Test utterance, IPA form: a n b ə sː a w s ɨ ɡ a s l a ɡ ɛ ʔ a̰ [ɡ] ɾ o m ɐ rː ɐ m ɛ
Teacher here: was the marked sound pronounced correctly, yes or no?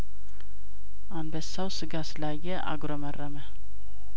yes